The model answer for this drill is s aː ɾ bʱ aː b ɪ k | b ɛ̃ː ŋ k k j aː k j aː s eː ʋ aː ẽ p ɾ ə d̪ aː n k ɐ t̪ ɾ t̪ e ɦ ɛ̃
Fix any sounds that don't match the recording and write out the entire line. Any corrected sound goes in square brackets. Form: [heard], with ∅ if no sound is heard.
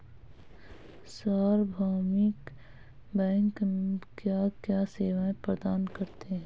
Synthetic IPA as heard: s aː ɾ bʱ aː [m] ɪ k | b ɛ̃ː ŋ k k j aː k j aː s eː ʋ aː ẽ p ɾ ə d̪ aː n k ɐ [∅] ɾ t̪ e ɦ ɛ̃